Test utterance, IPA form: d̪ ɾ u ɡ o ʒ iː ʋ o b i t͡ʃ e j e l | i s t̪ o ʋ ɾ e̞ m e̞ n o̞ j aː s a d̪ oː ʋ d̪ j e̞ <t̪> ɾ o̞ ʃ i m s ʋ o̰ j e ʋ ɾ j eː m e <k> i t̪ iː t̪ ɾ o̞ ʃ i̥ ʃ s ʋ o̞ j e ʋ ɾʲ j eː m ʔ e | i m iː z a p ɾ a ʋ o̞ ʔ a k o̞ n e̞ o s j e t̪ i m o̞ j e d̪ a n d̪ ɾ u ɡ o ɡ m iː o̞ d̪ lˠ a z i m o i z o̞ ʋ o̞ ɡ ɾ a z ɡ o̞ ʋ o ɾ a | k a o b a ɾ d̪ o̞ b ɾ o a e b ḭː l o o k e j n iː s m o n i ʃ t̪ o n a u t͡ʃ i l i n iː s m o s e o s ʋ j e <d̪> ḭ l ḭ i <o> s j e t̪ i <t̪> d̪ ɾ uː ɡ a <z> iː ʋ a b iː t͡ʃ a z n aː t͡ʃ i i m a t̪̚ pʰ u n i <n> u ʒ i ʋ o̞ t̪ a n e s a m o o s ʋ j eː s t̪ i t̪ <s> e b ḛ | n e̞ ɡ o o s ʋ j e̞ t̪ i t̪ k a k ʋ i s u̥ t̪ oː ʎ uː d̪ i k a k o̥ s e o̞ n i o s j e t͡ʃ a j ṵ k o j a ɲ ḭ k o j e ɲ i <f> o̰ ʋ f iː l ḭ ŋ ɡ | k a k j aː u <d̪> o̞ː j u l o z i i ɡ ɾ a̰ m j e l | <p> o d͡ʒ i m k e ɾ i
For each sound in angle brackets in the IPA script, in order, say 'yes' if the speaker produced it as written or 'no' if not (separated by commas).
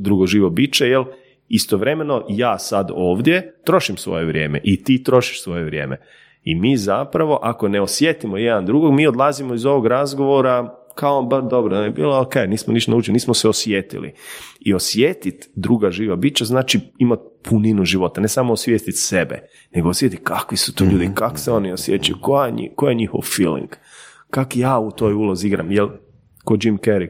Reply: yes, no, no, yes, yes, no, yes, yes, no, no, no